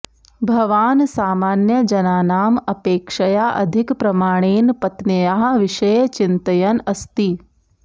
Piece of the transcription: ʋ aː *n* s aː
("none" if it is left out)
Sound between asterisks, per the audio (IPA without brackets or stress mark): n